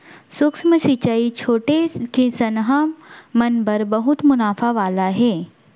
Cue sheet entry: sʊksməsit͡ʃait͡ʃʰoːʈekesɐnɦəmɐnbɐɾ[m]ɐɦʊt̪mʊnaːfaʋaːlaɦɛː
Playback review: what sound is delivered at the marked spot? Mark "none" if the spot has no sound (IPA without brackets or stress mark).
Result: b